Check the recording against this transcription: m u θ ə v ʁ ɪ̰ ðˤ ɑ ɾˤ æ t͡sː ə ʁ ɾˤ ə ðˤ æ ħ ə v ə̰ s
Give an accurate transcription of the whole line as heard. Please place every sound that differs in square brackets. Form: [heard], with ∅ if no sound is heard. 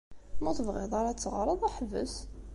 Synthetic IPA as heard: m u θ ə v ʁ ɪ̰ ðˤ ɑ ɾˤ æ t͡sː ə ʁ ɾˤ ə ðˤ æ ħ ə v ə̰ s

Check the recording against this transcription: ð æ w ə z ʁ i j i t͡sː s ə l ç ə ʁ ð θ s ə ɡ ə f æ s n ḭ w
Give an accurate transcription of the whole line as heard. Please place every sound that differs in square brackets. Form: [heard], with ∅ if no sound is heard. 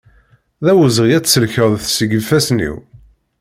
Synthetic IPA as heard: ð æ w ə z ʁ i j [æ] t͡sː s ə l ç ə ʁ ð θ s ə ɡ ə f æ s n ḭ w

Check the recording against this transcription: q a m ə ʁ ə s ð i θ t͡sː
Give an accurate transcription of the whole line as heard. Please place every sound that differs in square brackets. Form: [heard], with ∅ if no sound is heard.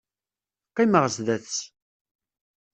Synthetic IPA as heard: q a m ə ʁ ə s ð [æ] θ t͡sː

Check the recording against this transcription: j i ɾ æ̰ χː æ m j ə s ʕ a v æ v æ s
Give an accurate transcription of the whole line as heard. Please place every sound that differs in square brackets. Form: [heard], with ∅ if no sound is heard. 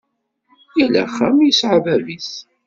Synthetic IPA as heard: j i [l] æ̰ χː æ m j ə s ʕ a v æ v [i] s

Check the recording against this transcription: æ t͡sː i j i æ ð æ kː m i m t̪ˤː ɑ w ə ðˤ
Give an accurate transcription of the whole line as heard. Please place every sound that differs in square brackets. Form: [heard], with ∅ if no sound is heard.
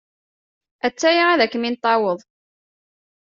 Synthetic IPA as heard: æ t͡sː [æ] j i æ ð æ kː m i [n] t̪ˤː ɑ w ə ðˤ

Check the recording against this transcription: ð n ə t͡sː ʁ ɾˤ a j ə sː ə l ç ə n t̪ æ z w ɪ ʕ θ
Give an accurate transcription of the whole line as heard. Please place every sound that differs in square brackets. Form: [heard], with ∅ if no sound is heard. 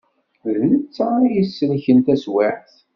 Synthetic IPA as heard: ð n ə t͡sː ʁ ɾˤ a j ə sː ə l ç ə n t̪ æ [s] w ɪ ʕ θ

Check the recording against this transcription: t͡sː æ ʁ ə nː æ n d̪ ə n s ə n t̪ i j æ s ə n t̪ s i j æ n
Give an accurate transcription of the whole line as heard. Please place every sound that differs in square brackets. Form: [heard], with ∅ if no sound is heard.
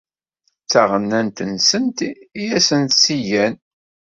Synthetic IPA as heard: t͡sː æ ʁ ə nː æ n [t̪] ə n s ə n t̪ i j æ s ə n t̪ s i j æ n

